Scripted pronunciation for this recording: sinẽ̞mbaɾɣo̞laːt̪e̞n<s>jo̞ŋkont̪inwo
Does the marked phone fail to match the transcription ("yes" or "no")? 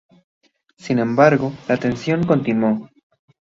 no